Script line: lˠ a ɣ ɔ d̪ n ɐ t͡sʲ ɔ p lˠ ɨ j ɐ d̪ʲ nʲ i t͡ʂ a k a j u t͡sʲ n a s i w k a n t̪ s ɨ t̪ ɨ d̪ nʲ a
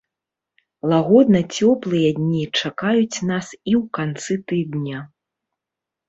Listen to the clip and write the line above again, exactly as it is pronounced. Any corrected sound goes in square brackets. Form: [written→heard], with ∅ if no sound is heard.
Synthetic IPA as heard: lˠ a ɣ ɔ d̪ n ɐ t͡sʲ ɔ p lˠ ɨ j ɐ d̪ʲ nʲ i t͡ʂ a k a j u t͡sʲ n a s i w k a n t̪ s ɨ t̪ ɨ d̪ nʲ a